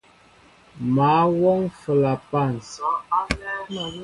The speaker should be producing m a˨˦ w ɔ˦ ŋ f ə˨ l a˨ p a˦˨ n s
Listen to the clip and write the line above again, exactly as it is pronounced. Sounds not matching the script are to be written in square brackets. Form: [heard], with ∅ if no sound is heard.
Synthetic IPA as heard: m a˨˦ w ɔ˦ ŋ f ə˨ l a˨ p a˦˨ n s